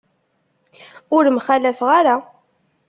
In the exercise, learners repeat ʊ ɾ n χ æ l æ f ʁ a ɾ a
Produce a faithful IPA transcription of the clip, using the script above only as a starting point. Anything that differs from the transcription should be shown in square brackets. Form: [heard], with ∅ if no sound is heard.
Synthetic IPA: ʊ ɾ [m] χ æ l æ f ʁ a ɾ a